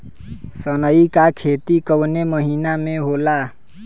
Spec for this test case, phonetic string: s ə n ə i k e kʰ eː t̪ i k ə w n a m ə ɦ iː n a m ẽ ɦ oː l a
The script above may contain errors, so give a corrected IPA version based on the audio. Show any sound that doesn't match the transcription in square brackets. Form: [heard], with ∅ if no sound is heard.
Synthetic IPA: s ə n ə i k [a] kʰ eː t̪ i k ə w n [e] m ə ɦ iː n a m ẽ ɦ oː l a